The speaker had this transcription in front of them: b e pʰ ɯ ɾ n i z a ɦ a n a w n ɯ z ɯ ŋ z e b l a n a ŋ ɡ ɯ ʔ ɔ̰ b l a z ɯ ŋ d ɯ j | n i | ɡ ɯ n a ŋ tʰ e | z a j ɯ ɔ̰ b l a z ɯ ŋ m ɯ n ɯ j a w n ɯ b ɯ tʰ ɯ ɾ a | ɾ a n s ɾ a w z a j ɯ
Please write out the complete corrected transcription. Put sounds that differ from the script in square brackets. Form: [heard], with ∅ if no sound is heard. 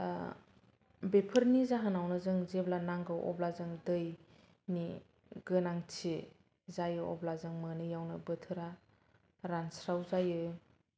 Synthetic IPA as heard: b e pʰ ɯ ɾ n i z a ɦ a n a w n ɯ z ɯ ŋ z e b l a n a ŋ ɡ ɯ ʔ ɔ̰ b l a z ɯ ŋ d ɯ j | n i | ɡ ɯ n a ŋ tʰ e | z a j ɯ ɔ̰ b l a z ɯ ŋ m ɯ n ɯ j a w n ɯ b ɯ tʰ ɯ ɾ a | ɾ a n s ɾ a w z a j ɯ